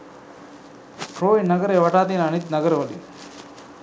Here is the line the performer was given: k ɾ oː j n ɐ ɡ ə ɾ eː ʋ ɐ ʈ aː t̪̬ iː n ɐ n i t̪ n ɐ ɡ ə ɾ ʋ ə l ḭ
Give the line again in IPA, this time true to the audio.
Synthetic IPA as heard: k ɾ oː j n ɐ ɡ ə ɾ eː ʋ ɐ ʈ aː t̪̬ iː n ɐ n i t̪ n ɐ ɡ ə ɾ ʋ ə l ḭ